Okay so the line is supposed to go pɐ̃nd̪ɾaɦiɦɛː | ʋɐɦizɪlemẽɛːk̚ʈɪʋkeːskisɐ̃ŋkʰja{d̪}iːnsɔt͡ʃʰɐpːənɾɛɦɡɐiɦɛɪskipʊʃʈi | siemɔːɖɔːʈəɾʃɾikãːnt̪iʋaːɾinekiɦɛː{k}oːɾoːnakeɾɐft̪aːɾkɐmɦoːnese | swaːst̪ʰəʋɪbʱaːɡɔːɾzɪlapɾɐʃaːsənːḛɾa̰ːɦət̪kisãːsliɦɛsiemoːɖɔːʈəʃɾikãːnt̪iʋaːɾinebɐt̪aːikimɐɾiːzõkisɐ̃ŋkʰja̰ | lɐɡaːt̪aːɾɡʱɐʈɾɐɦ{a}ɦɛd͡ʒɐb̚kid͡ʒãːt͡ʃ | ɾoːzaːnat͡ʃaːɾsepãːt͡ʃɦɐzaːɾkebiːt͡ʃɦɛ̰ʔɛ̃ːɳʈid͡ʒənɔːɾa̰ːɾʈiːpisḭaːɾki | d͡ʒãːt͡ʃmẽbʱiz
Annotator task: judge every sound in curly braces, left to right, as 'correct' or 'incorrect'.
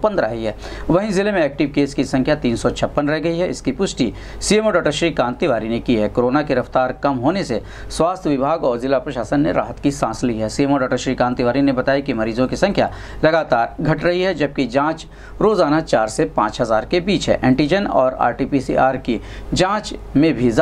incorrect, correct, incorrect

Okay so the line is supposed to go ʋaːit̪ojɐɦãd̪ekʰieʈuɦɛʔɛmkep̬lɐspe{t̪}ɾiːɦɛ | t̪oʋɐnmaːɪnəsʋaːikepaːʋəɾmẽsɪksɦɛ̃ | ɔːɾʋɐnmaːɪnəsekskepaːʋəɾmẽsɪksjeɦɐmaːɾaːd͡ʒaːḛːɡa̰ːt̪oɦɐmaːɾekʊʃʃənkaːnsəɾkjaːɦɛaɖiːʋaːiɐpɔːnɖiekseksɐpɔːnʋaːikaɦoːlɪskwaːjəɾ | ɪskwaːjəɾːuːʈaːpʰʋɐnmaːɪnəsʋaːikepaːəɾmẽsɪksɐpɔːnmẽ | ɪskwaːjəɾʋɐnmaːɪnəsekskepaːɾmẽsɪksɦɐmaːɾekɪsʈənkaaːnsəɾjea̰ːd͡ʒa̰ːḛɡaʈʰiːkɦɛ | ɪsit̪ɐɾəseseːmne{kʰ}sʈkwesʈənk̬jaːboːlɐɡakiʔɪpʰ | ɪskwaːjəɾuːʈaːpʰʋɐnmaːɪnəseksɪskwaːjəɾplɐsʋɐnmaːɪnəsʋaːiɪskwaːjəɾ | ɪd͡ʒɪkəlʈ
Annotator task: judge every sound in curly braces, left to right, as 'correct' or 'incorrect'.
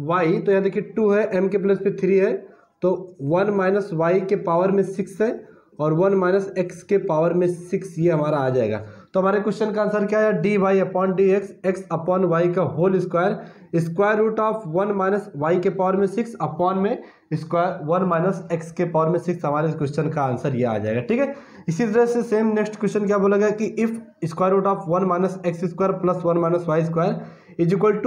incorrect, incorrect

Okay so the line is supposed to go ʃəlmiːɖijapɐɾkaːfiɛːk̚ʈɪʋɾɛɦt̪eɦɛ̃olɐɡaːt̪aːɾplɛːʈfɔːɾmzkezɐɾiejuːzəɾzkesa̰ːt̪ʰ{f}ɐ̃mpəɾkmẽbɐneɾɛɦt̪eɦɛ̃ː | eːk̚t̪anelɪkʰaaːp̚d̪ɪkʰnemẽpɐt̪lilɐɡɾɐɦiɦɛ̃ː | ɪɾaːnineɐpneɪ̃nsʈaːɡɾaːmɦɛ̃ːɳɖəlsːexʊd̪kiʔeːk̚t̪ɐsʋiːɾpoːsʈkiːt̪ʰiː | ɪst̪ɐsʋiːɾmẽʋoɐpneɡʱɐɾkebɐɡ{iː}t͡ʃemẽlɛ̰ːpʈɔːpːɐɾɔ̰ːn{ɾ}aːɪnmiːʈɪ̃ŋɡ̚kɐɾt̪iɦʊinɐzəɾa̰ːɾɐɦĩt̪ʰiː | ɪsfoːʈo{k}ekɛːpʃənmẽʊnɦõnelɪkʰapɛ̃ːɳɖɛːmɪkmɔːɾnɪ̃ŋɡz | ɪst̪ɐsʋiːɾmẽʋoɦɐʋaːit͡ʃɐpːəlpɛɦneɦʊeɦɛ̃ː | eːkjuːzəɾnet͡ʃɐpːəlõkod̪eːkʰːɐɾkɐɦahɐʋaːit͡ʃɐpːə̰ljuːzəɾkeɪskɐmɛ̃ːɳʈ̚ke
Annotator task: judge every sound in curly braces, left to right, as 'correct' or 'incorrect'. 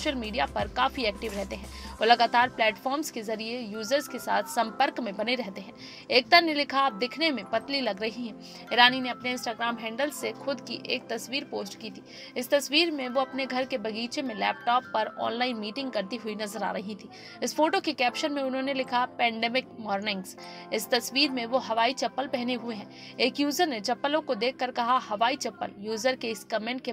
incorrect, correct, incorrect, correct

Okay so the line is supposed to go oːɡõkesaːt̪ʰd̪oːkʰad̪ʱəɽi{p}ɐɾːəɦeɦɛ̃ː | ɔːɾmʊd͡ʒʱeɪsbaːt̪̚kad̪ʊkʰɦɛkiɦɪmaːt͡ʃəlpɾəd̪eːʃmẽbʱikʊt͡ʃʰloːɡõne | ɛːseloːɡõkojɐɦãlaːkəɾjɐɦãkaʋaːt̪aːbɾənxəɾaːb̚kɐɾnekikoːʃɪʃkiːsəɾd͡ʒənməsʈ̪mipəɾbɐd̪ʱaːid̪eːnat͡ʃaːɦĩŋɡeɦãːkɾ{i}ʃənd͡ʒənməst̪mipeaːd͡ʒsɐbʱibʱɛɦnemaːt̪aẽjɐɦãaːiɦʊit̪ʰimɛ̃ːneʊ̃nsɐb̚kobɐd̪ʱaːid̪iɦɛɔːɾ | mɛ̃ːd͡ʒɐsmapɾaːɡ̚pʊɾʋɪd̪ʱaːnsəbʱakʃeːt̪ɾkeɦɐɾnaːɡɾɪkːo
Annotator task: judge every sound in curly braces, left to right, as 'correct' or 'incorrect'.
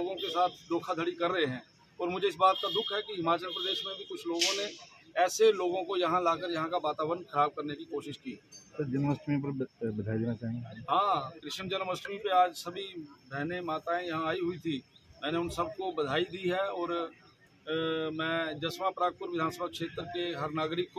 incorrect, incorrect

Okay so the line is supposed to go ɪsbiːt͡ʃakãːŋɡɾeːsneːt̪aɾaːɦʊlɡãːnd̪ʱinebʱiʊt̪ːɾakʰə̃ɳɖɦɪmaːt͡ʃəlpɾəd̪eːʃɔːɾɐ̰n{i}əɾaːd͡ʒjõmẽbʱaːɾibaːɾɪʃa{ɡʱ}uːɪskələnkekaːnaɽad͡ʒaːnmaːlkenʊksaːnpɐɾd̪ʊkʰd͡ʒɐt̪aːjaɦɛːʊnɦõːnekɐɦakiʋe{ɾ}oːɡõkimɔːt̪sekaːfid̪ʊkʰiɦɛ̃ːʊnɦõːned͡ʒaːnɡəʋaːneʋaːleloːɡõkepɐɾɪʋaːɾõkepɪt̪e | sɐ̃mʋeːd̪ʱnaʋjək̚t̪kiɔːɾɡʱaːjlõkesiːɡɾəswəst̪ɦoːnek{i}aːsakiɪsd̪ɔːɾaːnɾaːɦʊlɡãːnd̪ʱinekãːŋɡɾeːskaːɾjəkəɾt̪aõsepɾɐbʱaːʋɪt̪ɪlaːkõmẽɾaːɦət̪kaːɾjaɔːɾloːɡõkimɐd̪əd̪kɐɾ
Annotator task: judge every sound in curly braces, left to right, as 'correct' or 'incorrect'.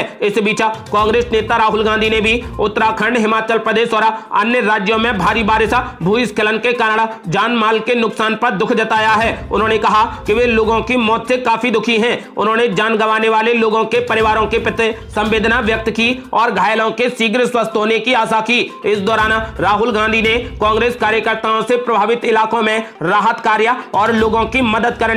incorrect, incorrect, incorrect, correct

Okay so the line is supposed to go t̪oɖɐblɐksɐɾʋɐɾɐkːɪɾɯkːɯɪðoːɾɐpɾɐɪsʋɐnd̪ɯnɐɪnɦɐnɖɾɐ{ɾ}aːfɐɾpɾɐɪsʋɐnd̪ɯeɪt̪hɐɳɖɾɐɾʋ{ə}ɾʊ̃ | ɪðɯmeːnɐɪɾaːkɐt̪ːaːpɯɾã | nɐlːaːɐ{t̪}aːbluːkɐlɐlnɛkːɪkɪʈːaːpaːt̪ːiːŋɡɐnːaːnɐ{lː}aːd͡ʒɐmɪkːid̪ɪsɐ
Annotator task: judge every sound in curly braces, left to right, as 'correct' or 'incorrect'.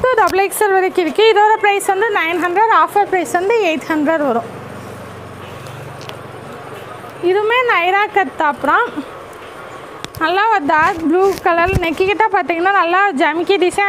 correct, incorrect, incorrect, correct

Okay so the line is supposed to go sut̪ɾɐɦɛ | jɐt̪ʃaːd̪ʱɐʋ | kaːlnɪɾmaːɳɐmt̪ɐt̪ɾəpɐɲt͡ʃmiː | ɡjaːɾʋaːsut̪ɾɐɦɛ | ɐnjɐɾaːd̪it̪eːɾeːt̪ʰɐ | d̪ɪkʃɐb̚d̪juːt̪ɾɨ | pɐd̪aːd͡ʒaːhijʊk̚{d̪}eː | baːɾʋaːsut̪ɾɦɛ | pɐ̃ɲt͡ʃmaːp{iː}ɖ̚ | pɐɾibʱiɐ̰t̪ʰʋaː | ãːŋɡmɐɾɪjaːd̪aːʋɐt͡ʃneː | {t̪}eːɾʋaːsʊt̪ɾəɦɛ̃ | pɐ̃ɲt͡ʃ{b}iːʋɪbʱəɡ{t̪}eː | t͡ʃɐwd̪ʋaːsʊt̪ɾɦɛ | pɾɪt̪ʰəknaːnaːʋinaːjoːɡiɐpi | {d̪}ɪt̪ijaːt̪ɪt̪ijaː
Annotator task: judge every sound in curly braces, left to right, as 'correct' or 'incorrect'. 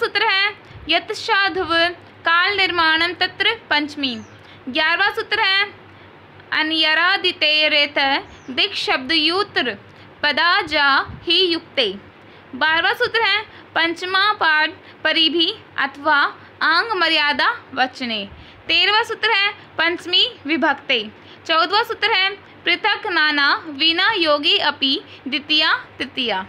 incorrect, incorrect, correct, incorrect, correct, correct

